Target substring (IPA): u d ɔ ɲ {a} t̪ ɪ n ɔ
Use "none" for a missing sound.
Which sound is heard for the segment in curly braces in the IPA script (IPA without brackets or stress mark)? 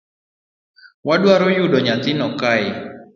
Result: a